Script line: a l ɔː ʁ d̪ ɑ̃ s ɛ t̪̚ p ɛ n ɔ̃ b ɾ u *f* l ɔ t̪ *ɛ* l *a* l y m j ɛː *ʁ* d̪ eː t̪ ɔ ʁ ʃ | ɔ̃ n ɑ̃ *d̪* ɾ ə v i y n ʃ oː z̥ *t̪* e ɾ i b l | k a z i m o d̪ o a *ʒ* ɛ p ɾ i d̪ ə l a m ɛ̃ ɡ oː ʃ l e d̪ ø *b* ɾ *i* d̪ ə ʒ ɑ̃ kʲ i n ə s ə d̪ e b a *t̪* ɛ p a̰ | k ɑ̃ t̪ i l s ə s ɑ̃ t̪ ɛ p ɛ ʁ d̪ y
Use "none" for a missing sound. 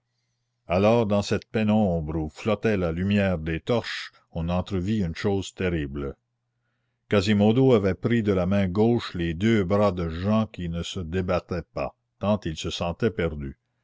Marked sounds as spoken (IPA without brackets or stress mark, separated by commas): f, ɛ, a, ʁ, t̪, t̪, v, b, a, t̪